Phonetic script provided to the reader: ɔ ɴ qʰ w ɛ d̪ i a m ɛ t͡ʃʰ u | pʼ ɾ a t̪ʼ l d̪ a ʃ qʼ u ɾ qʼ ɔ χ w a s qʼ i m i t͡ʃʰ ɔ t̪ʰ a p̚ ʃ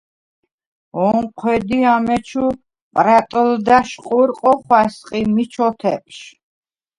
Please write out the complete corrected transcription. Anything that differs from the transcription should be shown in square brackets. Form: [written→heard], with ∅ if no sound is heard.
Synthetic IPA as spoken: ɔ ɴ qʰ w ɛ d̪ i a m ɛ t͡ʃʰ u | pʼ ɾ a t̪ʼ l d̪ a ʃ qʼ u ɾ qʼ ɔ χ w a s qʼ i m i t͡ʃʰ ɔ t̪ʰ [a→ɛ] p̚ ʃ

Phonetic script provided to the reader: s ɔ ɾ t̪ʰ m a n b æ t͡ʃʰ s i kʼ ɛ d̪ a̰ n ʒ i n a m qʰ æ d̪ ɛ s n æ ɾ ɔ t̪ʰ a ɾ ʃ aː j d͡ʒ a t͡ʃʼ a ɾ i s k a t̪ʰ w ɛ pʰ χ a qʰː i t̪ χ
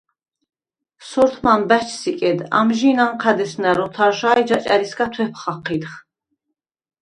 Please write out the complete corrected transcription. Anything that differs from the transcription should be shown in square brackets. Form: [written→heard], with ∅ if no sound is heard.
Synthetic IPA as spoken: s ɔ ɾ t̪ʰ m a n b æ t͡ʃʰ s i kʼ ɛ d̪ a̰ [n→m] ʒ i n a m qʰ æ d̪ ɛ s n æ ɾ ɔ t̪ʰ a ɾ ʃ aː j d͡ʒ a t͡ʃʼ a ɾ i s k a t̪ʰ w ɛ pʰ χ a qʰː i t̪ χ

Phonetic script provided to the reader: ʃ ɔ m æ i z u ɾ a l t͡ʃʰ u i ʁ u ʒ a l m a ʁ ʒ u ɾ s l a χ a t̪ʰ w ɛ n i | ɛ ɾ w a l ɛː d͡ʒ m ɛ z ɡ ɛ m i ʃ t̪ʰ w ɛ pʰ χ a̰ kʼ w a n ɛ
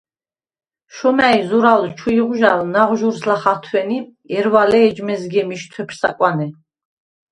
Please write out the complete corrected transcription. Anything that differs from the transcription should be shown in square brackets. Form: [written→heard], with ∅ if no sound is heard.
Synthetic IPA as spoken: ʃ ɔ m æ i z u ɾ a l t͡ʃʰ u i ʁ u ʒ a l [m→n] a ʁ ʒ u ɾ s l a χ a t̪ʰ w ɛ n i | ɛ ɾ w a l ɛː d͡ʒ m ɛ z ɡ ɛ m i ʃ t̪ʰ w ɛ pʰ [χ→s] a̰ kʼ w a n ɛ

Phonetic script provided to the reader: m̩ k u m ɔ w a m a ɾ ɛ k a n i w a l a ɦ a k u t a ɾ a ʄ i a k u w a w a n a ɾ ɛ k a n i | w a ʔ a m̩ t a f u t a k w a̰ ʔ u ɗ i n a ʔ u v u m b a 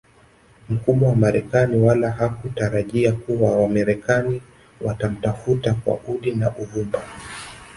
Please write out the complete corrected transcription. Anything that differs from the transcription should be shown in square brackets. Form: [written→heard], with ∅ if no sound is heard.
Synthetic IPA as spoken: m̩ k u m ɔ w a m a ɾ ɛ k a n i w a l a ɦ a k u t a ɾ a ʄ i a k u w a w a [n→m] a ɾ ɛ k a n i | w a [ʔ→t] a m̩ t a f u t a k w a̰ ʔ u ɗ i n a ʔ u v u m b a

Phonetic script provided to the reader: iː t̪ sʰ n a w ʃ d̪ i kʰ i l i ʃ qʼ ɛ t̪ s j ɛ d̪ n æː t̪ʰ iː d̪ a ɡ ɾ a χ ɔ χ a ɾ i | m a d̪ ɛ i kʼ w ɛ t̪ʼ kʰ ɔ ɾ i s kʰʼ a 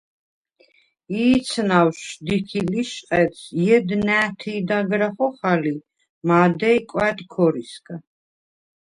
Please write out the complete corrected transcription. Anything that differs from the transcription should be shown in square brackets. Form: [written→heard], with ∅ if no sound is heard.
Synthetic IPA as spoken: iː t̪ sʰ n a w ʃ d̪ i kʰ i l i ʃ qʼ ɛ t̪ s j ɛ d̪ n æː t̪ʰ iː d̪ a ɡ ɾ a χ ɔ χ a [ɾ→l] i | m a d̪ ɛ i kʼ w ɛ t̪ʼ kʰ ɔ ɾ i s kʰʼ a

